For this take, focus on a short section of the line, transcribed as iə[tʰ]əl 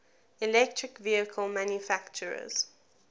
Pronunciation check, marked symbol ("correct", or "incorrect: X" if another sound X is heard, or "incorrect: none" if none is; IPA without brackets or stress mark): incorrect: kʰ